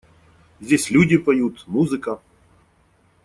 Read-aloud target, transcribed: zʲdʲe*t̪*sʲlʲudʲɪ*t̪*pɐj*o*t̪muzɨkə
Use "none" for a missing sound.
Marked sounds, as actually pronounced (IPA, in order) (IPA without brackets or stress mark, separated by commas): none, none, u